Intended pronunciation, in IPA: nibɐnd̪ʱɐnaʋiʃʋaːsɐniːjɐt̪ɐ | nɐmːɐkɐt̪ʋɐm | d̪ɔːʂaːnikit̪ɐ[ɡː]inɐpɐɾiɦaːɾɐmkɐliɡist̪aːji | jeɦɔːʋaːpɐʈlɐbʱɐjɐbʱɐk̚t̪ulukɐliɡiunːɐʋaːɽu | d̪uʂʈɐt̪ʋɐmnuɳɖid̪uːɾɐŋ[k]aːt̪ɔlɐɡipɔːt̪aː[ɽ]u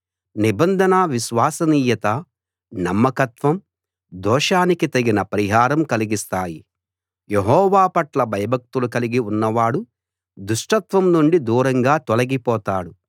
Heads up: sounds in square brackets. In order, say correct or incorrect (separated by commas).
incorrect, incorrect, correct